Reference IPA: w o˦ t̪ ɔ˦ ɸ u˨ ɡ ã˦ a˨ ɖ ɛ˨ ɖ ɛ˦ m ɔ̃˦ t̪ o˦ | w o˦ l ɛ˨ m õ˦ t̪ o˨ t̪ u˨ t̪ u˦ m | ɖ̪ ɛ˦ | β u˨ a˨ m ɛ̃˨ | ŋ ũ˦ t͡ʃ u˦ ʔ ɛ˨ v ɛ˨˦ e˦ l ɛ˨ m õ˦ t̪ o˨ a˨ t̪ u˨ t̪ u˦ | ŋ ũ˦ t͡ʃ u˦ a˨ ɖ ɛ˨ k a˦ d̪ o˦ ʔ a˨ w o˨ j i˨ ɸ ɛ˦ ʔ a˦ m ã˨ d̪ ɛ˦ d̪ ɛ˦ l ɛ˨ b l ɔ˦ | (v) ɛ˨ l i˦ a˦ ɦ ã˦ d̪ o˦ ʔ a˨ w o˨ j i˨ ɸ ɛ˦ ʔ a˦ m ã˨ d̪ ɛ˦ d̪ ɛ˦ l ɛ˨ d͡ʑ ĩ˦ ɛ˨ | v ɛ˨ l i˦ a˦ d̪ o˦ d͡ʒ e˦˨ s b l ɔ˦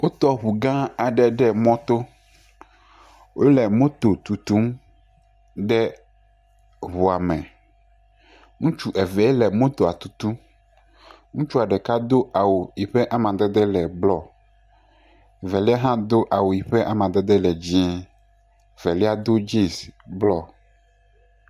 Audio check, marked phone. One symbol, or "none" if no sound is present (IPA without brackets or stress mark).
v